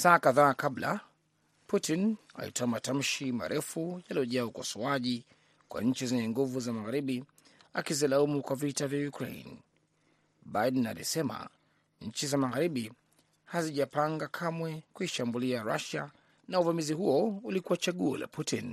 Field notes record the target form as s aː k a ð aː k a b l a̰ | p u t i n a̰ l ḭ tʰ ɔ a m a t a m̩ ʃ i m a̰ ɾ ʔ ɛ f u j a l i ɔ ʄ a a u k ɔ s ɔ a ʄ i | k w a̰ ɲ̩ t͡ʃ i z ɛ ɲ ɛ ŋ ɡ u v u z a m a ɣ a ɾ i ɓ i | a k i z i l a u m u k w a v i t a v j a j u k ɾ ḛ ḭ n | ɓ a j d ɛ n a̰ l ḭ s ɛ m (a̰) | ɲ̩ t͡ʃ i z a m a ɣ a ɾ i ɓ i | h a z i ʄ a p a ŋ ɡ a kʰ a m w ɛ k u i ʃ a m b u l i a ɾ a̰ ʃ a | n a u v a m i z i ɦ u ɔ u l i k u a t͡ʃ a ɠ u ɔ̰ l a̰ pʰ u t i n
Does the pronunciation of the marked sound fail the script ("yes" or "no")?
no